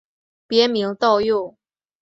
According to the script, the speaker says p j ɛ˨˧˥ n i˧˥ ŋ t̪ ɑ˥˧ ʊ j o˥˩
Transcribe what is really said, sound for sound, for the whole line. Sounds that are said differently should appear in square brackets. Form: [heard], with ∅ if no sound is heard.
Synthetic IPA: p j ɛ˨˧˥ [m] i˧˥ ŋ t̪ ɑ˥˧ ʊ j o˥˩